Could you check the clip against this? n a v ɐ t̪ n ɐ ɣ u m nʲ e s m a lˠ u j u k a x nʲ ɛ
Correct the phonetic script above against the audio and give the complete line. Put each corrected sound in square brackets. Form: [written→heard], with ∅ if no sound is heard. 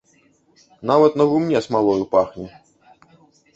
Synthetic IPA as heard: n a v ɐ t̪ n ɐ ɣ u m nʲ [e→ɛ] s m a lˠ [u→ɔ] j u [k→p] a x nʲ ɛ